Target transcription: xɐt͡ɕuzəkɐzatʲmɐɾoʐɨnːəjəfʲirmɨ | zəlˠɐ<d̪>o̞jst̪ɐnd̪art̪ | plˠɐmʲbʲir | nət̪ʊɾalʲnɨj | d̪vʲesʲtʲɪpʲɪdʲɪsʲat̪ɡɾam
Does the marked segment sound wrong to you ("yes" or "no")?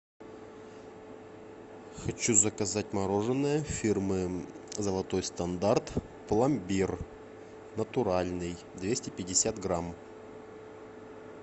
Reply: yes